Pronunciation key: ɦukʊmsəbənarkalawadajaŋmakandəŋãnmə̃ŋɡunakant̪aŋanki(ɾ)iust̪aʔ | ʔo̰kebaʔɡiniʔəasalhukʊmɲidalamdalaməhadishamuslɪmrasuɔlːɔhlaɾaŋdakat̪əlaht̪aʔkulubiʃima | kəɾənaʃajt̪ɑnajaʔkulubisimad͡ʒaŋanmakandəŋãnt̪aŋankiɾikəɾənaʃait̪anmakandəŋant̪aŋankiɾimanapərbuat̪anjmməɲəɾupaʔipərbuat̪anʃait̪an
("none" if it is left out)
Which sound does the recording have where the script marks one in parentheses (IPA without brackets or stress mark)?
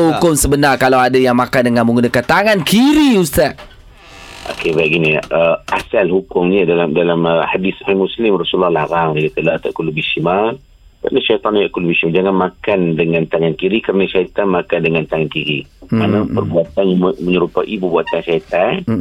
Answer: ɾ